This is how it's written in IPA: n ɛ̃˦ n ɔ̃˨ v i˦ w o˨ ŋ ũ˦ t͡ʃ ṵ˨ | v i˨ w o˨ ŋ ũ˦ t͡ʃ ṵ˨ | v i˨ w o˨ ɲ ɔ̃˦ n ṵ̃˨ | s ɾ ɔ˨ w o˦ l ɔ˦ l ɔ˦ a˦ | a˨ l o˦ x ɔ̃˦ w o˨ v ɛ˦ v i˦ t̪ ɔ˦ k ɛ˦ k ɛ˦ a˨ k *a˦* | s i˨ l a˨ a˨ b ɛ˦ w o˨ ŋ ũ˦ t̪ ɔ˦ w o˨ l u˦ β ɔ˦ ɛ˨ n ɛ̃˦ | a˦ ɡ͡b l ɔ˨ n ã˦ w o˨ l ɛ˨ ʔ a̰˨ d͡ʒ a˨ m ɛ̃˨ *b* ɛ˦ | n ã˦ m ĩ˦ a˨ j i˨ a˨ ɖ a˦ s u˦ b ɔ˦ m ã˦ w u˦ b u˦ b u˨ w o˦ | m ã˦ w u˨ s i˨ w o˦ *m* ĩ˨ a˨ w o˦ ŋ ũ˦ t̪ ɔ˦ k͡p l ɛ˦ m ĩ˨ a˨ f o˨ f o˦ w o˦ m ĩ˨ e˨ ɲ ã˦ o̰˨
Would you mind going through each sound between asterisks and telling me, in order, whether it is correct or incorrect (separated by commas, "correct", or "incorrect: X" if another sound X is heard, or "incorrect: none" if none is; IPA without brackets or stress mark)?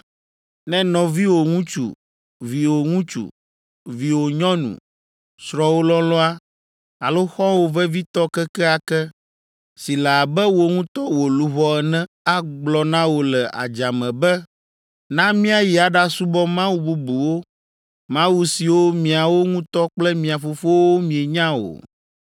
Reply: incorrect: ɛ˦, correct, correct